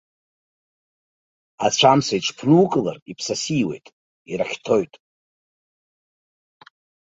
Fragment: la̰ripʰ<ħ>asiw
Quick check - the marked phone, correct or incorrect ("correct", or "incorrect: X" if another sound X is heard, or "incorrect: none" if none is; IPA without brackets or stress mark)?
incorrect: s